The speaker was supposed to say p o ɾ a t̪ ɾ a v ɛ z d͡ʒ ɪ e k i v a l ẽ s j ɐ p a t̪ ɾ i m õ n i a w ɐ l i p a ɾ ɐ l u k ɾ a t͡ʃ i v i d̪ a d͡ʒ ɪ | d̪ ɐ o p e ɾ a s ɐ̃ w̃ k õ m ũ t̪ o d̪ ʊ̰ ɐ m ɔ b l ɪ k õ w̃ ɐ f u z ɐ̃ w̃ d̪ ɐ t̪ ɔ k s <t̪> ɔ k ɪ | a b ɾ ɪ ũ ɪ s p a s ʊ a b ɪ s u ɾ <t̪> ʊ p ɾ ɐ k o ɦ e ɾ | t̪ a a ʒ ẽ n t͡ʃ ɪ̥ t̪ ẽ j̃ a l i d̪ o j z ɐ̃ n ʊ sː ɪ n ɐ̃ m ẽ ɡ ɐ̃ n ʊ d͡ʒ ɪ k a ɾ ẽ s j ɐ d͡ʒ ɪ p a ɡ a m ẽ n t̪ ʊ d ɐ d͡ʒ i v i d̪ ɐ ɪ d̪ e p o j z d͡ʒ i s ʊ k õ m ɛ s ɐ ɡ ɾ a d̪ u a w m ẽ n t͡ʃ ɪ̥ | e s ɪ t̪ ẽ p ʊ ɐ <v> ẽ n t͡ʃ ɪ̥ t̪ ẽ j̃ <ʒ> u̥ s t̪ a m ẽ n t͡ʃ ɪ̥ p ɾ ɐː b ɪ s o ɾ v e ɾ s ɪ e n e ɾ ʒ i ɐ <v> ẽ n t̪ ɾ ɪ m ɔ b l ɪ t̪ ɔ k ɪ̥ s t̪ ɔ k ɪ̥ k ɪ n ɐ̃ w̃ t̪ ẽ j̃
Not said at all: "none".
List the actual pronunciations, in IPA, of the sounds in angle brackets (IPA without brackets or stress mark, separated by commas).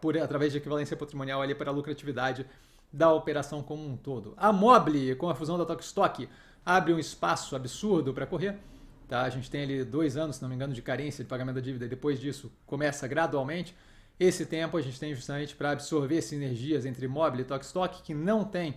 t̪, d̪, ʒ, ʒ, z